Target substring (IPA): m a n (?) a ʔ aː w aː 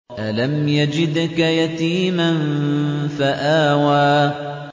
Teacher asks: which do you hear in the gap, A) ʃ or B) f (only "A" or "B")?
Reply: B